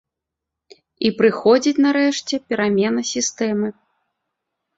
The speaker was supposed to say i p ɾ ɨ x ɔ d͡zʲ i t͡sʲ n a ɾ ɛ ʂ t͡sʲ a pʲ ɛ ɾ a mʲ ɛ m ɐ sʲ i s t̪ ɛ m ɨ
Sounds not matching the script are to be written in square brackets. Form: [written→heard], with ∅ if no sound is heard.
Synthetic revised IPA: i p ɾ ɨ x ɔ d͡zʲ i t͡sʲ n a ɾ ɛ ʂ t͡sʲ [a→ɛ] pʲ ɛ ɾ a mʲ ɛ [m→n] ɐ sʲ i s t̪ ɛ m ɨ